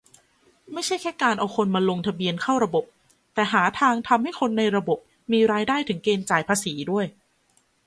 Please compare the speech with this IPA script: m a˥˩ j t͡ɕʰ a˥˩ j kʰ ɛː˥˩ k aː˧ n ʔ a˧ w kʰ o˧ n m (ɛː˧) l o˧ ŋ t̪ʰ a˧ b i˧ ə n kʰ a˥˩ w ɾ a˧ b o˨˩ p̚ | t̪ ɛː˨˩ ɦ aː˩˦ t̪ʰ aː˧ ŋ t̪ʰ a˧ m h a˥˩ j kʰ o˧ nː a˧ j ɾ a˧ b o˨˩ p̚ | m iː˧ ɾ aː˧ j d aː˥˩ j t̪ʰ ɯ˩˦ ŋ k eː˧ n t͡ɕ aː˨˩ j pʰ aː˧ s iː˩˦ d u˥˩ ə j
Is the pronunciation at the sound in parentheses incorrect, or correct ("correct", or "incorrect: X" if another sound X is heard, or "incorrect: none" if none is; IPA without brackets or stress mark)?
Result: incorrect: aː˧